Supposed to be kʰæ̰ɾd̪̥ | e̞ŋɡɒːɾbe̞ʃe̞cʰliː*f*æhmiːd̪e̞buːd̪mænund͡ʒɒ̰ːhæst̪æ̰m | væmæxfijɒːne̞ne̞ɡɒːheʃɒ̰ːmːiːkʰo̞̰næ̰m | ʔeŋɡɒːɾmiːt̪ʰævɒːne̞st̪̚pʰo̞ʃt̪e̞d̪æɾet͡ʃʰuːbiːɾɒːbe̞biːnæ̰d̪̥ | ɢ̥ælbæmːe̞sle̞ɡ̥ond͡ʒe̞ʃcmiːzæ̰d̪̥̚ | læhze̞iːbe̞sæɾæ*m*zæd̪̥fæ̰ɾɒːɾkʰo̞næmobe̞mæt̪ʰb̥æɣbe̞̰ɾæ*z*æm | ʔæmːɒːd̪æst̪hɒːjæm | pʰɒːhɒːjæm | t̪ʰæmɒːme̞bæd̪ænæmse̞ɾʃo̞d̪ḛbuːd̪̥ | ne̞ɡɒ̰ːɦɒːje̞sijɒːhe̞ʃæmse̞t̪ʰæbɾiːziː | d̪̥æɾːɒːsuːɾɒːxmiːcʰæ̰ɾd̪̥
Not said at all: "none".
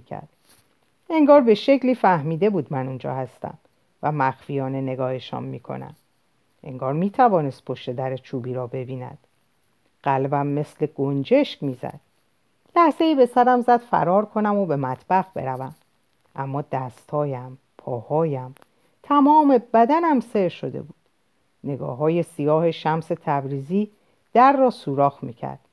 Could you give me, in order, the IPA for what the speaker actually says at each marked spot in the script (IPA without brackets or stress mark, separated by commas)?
f, m, v